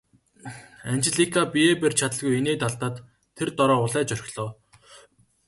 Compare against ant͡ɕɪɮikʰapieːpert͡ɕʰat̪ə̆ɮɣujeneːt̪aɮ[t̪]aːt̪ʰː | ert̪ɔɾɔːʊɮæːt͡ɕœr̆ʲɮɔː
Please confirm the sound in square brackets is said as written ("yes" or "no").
yes